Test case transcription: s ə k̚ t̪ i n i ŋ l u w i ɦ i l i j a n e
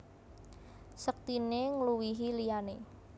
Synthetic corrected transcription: s ə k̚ t̪ i n e ŋ l u w i ɦ i l i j a n e